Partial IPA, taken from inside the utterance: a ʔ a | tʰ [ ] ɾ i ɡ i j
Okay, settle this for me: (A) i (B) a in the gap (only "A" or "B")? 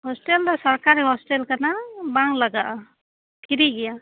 A